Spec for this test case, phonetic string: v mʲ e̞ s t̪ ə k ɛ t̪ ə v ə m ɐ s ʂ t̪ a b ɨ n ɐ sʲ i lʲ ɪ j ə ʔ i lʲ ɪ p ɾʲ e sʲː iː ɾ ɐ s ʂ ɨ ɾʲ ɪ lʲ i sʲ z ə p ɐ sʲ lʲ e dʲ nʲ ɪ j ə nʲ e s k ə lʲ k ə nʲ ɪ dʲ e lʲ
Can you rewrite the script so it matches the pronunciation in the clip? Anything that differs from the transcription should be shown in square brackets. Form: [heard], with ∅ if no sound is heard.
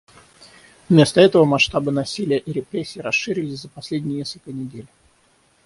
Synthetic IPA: v mʲ e̞ s t̪ ə [∅] ɛ t̪ ə v ə m ɐ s ʂ t̪ a b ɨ n ɐ sʲ i lʲ ɪ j ə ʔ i [ɾʲ] ɪ p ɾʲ e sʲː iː ɾ ɐ s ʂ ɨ ɾʲ ɪ lʲ [ɪ] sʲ z ə p ɐ sʲ lʲ e dʲ nʲ ɪ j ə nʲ e s k ə lʲ k ə nʲ ɪ dʲ e lʲ